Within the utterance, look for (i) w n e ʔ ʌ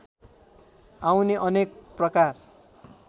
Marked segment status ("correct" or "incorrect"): incorrect